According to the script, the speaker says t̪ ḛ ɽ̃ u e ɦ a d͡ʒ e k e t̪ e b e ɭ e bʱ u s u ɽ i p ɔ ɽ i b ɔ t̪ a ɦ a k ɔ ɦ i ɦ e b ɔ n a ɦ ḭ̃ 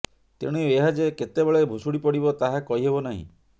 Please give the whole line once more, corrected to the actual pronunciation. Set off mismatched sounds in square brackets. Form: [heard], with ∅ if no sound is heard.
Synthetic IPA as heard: t̪ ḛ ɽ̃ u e ɦ a d͡ʒ e k e t̪ e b e ɭ e bʱ u s u ɽ i p ɔ ɽ i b ɔ t̪ a ɦ a k ɔ ɦ i ɦ e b ɔ n a ɦ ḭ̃

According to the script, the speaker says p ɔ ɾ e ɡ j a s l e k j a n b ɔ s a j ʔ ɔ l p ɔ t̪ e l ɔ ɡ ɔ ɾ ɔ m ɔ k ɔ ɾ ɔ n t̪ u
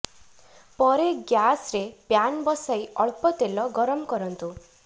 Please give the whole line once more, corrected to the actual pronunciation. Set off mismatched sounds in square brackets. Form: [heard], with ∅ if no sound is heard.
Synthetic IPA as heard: p ɔ ɾ e ɡ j a s [ɾ] e [p] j a n b ɔ s a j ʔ ɔ [ɭ] p ɔ t̪ e l ɔ ɡ ɔ ɾ ɔ m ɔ k ɔ ɾ ɔ n t̪ u

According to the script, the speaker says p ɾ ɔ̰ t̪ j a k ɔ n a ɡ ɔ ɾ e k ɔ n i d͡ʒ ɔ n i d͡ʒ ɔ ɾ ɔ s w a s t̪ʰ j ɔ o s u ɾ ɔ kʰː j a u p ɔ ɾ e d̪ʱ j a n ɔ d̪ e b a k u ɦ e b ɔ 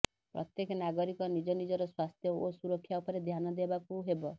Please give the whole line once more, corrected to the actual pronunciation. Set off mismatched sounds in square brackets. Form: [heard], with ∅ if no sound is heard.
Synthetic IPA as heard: p ɾ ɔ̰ t̪ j [e] k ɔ n a ɡ ɔ ɾ [i] k ɔ n i d͡ʒ ɔ n i d͡ʒ ɔ ɾ ɔ s w a s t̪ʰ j ɔ o s u ɾ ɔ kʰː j a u p ɔ ɾ e d̪ʱ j a n ɔ d̪ e b a k u ɦ e b ɔ

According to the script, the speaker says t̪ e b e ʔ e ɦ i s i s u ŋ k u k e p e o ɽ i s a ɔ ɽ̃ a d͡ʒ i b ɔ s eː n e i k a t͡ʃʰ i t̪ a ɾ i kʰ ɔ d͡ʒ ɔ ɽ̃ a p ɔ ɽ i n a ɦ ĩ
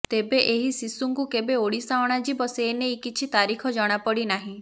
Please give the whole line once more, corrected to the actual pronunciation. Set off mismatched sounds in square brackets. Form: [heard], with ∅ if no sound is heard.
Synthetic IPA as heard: t̪ e b e ʔ e ɦ i s i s u ŋ k u k e [b] e o ɽ i s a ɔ ɽ̃ a d͡ʒ i b ɔ s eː n e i k [i] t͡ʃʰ i t̪ a ɾ i kʰ ɔ d͡ʒ ɔ ɽ̃ a p ɔ ɽ i n a ɦ ĩ

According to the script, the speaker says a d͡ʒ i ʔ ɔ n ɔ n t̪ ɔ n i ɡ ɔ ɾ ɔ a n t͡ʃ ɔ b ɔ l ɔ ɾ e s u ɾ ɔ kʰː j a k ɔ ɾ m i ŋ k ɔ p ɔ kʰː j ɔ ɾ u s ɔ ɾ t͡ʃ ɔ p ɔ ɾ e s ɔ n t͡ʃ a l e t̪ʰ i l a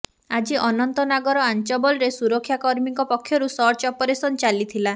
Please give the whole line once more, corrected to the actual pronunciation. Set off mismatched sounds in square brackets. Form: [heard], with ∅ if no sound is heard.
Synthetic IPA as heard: a d͡ʒ i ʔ ɔ n ɔ n t̪ ɔ n [a] ɡ ɔ ɾ ɔ a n t͡ʃ ɔ b ɔ l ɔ ɾ e s u ɾ ɔ kʰː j a k ɔ ɾ m i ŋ k ɔ p ɔ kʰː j ɔ ɾ u s ɔ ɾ t͡ʃ ɔ p ɔ ɾ e s ɔ n t͡ʃ a l [i] t̪ʰ i l a

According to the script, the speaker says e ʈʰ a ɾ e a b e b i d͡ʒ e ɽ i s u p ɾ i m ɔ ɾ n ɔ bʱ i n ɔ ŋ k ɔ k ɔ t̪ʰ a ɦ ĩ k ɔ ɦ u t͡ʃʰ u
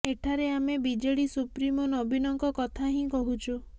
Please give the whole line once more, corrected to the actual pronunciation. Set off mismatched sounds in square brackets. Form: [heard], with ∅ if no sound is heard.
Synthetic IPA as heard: e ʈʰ a ɾ e a [m] e b i d͡ʒ e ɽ i s u p ɾ i m ɔ [∅] n ɔ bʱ i n ɔ ŋ k ɔ k ɔ t̪ʰ a ɦ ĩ k ɔ ɦ u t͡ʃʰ u

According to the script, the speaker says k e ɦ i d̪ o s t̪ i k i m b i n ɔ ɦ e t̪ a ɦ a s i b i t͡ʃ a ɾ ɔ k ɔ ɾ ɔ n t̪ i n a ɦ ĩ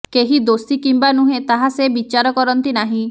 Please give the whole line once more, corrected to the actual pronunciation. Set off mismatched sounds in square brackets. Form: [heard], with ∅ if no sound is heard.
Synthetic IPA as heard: k e ɦ i d̪ o s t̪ i k i m b [a] n [u] ɦ e t̪ a ɦ a s [e] b i t͡ʃ a ɾ ɔ k ɔ ɾ ɔ n t̪ i n a ɦ ĩ

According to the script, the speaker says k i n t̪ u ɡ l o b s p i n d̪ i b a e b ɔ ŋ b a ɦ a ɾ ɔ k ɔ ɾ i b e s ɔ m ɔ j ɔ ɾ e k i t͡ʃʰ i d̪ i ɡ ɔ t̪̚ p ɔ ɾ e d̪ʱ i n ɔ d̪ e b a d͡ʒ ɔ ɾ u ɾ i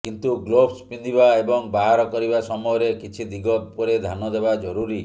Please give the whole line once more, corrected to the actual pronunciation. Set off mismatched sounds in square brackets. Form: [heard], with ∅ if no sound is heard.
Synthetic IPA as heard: k i n t̪ u ɡ l o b s p i n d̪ i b a e b ɔ ŋ b a ɦ a ɾ ɔ k ɔ ɾ i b [a] s ɔ m ɔ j ɔ ɾ e k i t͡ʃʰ i d̪ i ɡ ɔ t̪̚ p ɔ ɾ e d̪ʱ [a] n ɔ d̪ e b a d͡ʒ ɔ ɾ u ɾ i

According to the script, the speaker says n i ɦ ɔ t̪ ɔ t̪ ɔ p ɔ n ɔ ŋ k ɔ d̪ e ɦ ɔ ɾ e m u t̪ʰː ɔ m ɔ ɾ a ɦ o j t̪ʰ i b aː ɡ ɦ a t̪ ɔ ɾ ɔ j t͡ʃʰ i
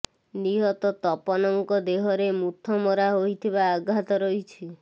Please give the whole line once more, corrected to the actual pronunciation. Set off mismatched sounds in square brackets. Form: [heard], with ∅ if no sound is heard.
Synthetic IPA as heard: n i ɦ ɔ t̪ ɔ t̪ ɔ p ɔ n ɔ ŋ k ɔ d̪ e ɦ ɔ ɾ e m u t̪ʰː ɔ m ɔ ɾ a ɦ o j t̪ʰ i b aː ɡ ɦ a t̪ ɔ ɾ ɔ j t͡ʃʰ i

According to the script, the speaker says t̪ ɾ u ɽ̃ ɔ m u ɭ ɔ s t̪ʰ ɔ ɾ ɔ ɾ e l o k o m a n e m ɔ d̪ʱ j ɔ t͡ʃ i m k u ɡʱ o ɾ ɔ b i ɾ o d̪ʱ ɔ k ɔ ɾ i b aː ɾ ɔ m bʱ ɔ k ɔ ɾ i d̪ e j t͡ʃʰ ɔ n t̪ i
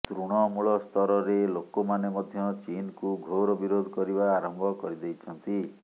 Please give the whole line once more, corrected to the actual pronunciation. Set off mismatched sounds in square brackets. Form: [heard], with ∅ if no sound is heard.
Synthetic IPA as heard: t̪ ɾ u ɽ̃ ɔ m u ɭ ɔ s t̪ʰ ɔ ɾ ɔ ɾ e l o k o m a n e m ɔ d̪ʱ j ɔ t͡ʃ i [n] k u ɡʱ o ɾ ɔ b i ɾ o d̪ʱ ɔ k ɔ ɾ i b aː ɾ ɔ m bʱ ɔ k ɔ ɾ i d̪ e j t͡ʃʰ ɔ n t̪ i

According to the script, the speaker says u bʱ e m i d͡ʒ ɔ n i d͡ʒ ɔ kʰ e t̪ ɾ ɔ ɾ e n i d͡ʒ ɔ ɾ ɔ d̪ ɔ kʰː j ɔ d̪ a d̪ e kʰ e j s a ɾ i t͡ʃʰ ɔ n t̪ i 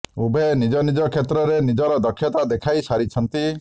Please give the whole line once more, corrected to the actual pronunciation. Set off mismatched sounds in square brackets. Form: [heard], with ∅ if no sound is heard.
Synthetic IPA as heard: u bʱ e [n] i d͡ʒ ɔ n i d͡ʒ ɔ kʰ e t̪ ɾ ɔ ɾ e n i d͡ʒ ɔ ɾ ɔ d̪ ɔ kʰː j ɔ [t̪] a d̪ e kʰ [a] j s a ɾ i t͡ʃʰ ɔ n t̪ i

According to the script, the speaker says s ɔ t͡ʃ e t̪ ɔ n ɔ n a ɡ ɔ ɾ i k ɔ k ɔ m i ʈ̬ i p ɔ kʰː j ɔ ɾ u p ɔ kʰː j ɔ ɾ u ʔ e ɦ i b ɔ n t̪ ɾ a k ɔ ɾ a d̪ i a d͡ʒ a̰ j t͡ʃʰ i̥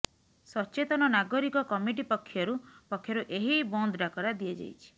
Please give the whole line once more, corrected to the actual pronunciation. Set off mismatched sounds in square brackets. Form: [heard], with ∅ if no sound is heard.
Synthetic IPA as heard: s ɔ t͡ʃ e t̪ ɔ n ɔ n a ɡ ɔ ɾ i k ɔ k ɔ m i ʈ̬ i p ɔ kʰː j ɔ ɾ u p ɔ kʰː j ɔ ɾ u ʔ e ɦ i b ɔ n [d̪] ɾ a k ɔ ɾ a d̪ i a d͡ʒ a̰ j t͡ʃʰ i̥

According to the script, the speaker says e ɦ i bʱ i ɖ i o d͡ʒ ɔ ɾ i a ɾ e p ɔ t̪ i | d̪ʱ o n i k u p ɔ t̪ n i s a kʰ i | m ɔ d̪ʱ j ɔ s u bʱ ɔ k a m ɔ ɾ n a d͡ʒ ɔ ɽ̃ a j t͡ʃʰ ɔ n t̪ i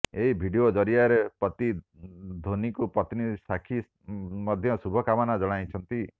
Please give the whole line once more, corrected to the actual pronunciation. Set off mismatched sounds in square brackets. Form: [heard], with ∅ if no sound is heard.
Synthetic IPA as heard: e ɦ i bʱ i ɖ i o d͡ʒ ɔ ɾ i a ɾ e p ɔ t̪ i | d̪ʱ o n i k u p ɔ t̪ n i s a kʰ i | m ɔ d̪ʱ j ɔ s u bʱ ɔ k a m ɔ [∅] n a d͡ʒ ɔ ɽ̃ a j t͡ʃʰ ɔ n t̪ i

